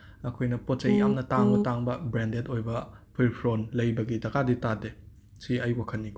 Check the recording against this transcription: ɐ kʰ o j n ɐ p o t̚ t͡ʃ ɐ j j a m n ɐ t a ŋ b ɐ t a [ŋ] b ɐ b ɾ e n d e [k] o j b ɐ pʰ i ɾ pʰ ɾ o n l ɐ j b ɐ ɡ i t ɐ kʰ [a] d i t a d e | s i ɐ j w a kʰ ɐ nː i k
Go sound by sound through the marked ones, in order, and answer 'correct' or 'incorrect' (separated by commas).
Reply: correct, incorrect, correct